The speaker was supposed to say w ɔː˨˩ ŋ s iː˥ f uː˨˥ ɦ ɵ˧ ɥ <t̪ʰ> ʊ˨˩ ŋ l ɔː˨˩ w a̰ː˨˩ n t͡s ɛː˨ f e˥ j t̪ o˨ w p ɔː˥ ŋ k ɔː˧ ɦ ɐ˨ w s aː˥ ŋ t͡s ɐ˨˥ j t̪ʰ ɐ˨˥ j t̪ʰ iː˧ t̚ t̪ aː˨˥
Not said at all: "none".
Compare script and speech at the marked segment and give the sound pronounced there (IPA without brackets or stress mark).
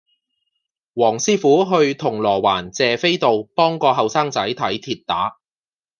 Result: t̪ʰ